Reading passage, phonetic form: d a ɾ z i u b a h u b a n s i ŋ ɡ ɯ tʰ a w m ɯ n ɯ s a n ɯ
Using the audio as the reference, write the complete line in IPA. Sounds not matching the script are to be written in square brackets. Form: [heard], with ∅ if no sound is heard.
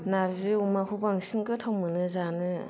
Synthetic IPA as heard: [n] a ɾ z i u [m] a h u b a [ŋ] s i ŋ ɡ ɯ tʰ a w m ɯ n ɯ [z] a n ɯ